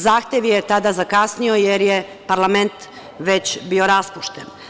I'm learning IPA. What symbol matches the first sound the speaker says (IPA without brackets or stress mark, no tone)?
z